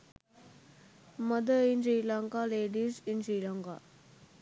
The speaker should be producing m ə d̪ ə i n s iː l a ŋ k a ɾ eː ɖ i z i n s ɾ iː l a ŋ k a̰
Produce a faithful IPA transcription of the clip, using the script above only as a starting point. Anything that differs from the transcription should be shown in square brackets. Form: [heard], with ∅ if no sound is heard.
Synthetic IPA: m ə d̪ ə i n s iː l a ŋ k a [l] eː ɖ i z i n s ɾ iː l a ŋ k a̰